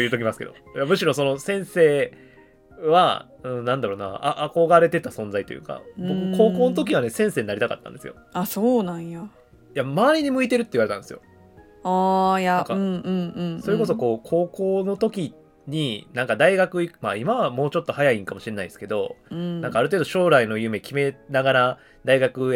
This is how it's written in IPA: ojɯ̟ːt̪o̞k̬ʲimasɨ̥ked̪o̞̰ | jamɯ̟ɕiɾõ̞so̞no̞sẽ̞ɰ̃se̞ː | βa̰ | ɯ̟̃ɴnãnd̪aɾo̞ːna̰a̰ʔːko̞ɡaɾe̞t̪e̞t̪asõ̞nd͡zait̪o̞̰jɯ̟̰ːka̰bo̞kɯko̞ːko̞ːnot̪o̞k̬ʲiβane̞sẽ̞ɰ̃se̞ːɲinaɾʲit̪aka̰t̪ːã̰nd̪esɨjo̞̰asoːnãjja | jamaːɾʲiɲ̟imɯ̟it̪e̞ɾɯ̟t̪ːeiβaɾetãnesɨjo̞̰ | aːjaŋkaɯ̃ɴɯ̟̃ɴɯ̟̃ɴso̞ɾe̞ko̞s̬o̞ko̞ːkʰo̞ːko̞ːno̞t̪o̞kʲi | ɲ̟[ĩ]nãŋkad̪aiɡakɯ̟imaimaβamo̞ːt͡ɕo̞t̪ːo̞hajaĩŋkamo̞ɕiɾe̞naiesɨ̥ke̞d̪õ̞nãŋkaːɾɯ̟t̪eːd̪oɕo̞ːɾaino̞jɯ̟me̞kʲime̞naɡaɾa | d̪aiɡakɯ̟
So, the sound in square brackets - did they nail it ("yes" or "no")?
no